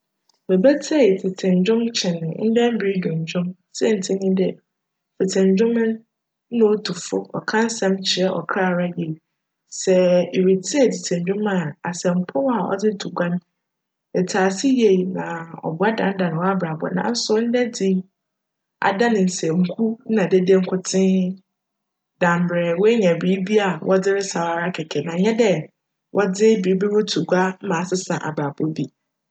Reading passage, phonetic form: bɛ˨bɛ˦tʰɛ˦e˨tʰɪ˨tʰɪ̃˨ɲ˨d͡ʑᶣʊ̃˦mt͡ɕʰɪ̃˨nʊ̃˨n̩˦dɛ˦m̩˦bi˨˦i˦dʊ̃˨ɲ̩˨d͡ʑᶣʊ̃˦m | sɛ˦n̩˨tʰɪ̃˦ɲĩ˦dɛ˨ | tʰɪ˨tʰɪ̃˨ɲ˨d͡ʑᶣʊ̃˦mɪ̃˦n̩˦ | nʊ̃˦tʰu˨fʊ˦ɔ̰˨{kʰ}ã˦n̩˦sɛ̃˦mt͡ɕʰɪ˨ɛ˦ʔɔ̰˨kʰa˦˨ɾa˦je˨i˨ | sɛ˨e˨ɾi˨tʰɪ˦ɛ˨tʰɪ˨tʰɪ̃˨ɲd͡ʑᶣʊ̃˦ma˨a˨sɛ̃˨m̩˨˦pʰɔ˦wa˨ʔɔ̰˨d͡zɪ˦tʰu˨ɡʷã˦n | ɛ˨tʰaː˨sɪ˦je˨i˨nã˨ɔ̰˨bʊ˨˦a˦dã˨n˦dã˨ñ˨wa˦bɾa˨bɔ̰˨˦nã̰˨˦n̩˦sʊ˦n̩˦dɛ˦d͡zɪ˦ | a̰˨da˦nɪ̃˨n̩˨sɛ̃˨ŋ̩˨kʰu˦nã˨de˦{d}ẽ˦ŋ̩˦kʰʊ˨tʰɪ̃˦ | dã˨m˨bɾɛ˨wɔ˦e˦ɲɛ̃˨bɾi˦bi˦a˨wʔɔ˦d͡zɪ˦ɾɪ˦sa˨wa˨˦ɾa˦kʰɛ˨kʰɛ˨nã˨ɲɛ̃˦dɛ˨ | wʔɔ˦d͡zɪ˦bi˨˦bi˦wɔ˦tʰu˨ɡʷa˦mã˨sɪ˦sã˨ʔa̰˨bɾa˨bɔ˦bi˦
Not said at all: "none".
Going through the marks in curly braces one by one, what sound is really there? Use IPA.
kʰ, d

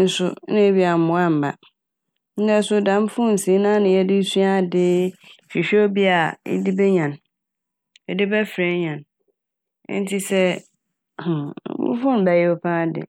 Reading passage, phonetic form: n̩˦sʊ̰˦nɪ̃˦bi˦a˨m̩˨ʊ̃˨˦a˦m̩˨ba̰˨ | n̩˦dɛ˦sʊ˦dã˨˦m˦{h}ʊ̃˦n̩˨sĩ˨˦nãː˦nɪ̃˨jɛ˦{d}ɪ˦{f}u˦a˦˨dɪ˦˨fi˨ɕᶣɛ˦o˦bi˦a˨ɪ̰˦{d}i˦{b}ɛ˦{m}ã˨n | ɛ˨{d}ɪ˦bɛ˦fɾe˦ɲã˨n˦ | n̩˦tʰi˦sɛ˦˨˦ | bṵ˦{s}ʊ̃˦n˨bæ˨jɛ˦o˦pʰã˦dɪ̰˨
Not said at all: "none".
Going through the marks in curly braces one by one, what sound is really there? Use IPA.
f, d, s, d, b, ɲ, d, f

